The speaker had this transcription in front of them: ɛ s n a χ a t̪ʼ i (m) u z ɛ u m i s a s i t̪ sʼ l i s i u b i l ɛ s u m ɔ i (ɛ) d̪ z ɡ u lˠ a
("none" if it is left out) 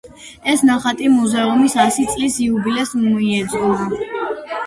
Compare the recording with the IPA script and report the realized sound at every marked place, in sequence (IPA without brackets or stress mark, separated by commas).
m, ɛ